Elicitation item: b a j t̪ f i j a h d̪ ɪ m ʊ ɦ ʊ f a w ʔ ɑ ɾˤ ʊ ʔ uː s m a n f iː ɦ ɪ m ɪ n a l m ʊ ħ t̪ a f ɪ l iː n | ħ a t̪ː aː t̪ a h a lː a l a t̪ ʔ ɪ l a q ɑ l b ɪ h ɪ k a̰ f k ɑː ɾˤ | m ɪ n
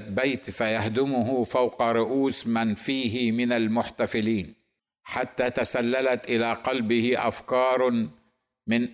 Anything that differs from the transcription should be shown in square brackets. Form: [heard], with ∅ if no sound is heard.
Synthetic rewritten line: b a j t̪ f [a] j a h d̪ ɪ m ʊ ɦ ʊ f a w [q] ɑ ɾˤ ʊ ʔ uː s m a n f iː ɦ ɪ m ɪ n a l m ʊ ħ t̪ a f ɪ l iː n | ħ a t̪ː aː t̪ a [s] a lː a l a t̪ ʔ ɪ l a q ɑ l b ɪ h ɪ [ʔ] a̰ f k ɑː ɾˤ | m ɪ n